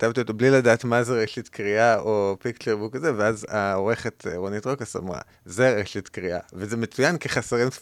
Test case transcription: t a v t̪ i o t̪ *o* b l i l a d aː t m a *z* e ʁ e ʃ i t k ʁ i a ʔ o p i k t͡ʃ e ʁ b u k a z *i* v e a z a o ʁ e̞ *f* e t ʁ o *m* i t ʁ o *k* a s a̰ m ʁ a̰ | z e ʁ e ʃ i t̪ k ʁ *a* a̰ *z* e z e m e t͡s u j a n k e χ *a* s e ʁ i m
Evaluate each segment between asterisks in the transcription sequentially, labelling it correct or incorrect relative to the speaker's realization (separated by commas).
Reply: correct, correct, incorrect, incorrect, incorrect, correct, incorrect, incorrect, correct